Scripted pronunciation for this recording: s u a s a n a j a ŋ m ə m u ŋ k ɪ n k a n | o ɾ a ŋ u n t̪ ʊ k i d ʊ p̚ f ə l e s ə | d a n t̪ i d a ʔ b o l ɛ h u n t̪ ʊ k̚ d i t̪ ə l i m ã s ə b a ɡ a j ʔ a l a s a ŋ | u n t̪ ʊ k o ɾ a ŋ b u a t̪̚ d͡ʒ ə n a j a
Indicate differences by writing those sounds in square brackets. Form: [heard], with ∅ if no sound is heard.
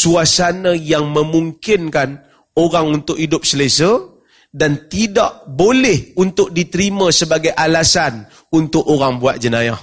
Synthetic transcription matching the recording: s u a s a n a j a ŋ m ə m u ŋ k ɪ n k a n | o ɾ a ŋ u n t̪ ʊ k i d ʊ p̚ [s] ə l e s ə | d a n t̪ i d a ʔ b o l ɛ h u n t̪ ʊ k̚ d i t̪ ə [ɾ] i m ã s ə b a ɡ a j ʔ a l a s a [n] | u n t̪ ʊ k o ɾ a ŋ b u a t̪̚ d͡ʒ ə n a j a